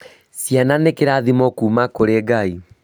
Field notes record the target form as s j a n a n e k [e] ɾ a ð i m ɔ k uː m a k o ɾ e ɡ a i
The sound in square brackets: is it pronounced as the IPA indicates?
yes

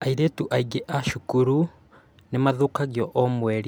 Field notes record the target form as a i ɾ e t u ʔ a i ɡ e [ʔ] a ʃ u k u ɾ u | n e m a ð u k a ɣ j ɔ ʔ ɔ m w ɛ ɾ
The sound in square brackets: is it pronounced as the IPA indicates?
yes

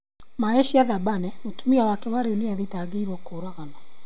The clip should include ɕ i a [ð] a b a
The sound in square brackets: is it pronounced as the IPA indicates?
yes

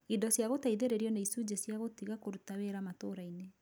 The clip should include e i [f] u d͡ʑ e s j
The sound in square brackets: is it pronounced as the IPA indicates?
no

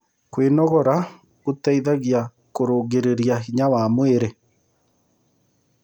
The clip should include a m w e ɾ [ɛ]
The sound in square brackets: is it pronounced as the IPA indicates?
no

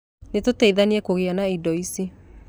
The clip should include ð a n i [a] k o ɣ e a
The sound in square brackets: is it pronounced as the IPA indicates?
no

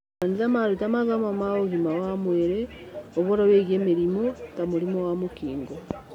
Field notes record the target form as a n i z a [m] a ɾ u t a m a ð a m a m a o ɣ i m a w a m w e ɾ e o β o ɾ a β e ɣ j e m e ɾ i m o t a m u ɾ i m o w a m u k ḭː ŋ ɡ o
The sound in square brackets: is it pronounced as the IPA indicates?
yes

